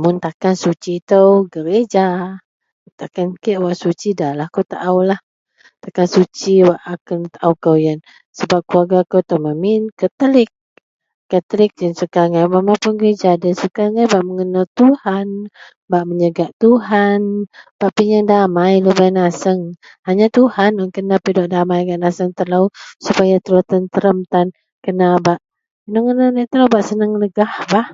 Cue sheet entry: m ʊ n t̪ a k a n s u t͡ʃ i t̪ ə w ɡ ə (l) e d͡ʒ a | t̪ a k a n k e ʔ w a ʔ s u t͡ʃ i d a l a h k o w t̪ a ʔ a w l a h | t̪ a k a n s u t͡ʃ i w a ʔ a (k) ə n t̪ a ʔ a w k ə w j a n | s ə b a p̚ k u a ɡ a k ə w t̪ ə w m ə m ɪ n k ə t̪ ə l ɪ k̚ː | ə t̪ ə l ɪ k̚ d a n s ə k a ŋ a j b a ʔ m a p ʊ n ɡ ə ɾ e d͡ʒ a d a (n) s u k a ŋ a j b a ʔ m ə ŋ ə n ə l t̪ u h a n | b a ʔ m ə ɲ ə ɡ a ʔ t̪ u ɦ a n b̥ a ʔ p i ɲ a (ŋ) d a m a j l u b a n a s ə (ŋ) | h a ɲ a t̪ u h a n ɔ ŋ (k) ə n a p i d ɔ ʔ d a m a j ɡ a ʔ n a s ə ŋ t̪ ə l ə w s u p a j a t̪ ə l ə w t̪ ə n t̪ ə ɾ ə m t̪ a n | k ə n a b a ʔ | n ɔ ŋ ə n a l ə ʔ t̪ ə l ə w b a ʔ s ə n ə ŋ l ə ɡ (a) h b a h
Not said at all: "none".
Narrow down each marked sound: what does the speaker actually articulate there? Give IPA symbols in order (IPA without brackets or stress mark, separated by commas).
ɾ, k, n, ŋ, ŋ, k, a